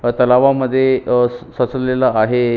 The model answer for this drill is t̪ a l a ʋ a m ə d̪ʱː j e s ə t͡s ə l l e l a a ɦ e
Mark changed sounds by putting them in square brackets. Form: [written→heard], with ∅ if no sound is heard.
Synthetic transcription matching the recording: t̪ [a→ə] l a ʋ a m ə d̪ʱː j e s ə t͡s ə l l e l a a ɦ e